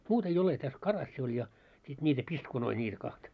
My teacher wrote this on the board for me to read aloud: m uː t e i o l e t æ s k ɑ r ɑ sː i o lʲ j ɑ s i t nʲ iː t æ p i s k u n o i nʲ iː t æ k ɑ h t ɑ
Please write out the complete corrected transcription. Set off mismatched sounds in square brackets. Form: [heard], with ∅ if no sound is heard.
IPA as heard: m uː t e i o l e t æ s k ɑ r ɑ sː i o lʲ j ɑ s i t nʲ iː t æ p i s k u n o i nʲ iː t æ k ɑ h t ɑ